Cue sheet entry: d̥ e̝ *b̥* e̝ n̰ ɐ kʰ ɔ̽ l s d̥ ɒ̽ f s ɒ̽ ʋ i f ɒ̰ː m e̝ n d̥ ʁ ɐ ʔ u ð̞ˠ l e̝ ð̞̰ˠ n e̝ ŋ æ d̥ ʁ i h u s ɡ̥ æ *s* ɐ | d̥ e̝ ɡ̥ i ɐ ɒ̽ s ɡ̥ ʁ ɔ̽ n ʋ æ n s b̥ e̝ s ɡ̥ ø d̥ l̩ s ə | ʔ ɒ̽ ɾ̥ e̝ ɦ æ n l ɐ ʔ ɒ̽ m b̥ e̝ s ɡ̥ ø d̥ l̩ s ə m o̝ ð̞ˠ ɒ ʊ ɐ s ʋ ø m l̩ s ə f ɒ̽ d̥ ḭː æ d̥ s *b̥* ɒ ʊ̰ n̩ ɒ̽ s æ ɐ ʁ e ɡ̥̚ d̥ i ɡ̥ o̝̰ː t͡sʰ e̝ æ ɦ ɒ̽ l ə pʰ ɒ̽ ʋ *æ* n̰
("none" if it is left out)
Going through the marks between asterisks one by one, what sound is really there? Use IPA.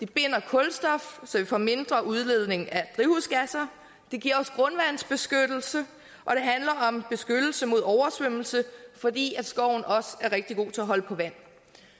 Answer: b̥, s, ɡ̥, æ

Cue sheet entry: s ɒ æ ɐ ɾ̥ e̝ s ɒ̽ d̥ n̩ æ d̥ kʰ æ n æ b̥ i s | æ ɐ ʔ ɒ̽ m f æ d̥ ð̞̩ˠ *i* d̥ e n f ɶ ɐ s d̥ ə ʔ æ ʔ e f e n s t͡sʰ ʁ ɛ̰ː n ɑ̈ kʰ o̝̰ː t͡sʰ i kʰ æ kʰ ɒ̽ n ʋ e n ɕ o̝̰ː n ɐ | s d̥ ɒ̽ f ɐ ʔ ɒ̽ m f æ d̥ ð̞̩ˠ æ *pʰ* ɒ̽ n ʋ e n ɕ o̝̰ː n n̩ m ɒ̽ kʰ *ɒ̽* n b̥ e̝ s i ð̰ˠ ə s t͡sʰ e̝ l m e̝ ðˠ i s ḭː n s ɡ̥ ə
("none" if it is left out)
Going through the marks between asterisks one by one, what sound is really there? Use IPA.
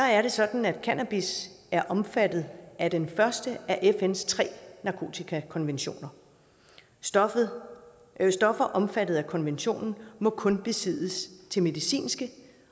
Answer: æ, kʰ, ɔ̽

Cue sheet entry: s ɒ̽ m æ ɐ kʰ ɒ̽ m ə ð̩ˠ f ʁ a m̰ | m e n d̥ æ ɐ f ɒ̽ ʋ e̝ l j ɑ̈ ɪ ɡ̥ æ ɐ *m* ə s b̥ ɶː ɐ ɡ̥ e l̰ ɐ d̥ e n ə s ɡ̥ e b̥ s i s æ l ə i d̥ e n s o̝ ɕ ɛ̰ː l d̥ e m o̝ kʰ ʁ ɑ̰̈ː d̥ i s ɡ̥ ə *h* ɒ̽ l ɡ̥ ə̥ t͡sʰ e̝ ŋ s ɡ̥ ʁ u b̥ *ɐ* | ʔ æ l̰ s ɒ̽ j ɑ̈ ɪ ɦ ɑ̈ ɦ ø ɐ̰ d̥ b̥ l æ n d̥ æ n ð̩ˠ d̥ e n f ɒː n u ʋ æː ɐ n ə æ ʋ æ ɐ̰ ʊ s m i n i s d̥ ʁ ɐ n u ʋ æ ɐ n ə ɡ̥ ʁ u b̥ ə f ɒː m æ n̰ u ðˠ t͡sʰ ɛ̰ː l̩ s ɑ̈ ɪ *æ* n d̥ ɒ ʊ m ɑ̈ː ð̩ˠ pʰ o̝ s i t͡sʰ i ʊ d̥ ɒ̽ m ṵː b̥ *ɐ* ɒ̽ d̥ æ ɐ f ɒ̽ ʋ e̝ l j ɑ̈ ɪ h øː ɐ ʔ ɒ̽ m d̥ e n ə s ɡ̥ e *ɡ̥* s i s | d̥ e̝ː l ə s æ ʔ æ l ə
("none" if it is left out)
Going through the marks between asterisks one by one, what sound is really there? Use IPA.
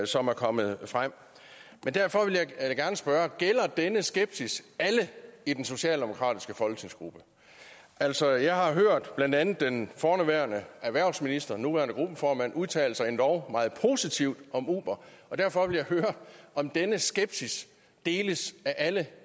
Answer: n, f, ə, e, ɐ, b̥

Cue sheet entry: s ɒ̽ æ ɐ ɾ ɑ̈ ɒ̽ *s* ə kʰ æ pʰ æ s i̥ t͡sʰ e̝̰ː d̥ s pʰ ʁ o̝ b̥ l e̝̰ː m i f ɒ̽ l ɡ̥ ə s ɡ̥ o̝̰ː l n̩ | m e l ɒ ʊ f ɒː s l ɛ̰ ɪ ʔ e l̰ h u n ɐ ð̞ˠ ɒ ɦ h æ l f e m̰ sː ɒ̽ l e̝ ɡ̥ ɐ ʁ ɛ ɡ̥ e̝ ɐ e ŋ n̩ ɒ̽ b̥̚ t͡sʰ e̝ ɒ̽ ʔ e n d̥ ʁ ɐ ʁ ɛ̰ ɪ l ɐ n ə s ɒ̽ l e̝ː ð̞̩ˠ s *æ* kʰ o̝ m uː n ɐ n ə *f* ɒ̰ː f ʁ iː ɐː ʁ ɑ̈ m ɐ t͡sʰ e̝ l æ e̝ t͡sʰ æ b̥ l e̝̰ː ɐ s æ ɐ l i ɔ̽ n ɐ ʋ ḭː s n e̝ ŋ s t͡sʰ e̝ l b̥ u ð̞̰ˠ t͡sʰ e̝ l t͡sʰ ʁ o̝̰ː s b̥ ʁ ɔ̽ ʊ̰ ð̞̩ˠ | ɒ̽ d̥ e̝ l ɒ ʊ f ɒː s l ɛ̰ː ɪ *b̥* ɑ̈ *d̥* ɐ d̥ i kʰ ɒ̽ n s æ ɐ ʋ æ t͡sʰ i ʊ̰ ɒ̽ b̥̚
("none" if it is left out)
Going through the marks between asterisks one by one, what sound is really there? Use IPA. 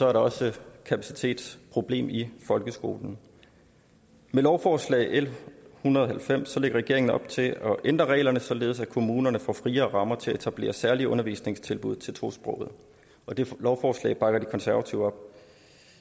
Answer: s, æ, f, b̥, ɡ̥

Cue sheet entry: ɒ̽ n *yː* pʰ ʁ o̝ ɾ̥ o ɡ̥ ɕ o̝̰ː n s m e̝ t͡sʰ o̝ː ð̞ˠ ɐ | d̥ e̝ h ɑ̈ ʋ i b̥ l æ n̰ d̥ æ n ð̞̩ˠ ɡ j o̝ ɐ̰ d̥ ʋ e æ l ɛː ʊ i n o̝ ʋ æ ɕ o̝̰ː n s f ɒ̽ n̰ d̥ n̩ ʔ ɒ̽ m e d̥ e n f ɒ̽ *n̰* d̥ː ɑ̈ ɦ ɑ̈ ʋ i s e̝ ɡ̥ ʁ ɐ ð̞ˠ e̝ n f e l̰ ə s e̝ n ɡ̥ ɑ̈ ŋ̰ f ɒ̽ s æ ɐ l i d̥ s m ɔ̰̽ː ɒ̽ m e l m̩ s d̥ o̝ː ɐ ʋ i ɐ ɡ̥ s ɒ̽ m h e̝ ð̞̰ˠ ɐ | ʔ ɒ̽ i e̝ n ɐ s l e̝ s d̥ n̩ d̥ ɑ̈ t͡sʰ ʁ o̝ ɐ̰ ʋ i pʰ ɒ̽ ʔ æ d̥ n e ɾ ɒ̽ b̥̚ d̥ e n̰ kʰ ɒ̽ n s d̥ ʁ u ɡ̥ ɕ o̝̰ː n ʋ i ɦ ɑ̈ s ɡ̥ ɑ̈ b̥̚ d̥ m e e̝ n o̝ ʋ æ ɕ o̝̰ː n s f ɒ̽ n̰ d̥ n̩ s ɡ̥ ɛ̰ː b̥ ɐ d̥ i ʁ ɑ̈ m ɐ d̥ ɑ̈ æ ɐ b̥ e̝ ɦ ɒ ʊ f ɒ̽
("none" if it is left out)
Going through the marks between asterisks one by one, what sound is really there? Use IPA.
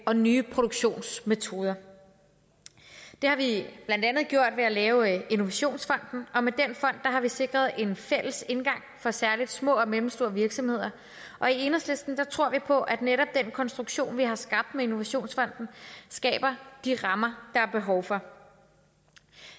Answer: yː, n̰

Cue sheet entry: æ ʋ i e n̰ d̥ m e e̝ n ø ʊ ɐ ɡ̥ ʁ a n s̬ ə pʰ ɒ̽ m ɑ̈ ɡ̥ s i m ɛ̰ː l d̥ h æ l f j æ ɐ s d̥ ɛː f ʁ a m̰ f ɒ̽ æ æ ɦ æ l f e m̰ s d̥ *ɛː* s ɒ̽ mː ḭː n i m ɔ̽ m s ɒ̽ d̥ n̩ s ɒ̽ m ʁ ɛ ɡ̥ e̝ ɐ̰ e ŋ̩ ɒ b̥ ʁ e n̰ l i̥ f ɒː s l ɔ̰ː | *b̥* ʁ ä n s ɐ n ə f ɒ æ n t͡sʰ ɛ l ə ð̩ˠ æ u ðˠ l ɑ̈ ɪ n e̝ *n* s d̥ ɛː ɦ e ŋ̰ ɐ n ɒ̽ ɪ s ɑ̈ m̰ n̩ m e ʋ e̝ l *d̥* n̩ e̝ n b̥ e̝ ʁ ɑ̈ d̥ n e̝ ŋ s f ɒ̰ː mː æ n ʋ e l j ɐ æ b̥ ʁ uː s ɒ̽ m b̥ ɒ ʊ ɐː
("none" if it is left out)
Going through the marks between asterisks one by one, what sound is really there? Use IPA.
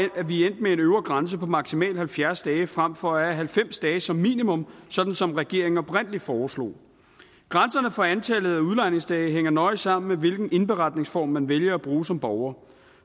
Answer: ɛː, ɡ̥, ŋ, ɡ̥

